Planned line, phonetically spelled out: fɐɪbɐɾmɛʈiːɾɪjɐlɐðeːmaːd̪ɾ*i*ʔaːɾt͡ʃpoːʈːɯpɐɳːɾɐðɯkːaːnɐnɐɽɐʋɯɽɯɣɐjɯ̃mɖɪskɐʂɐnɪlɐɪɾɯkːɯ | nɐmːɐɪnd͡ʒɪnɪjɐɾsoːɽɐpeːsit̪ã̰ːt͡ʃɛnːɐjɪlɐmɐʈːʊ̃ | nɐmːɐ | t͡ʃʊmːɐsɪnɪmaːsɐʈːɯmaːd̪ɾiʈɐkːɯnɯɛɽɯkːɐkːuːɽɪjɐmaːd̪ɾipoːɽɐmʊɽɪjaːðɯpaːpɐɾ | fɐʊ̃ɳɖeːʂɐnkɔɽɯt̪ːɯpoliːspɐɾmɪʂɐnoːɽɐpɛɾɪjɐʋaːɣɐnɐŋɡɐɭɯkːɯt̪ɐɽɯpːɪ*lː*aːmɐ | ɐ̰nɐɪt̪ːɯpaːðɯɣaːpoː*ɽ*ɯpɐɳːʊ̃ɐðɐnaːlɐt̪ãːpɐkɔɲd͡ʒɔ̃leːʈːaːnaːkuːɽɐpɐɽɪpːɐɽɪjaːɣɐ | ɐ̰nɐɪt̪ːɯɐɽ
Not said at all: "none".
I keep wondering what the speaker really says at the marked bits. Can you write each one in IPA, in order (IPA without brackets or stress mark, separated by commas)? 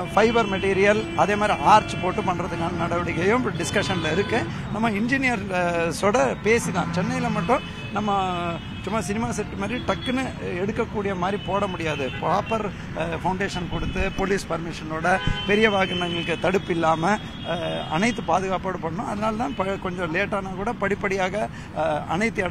i, lː, ɽ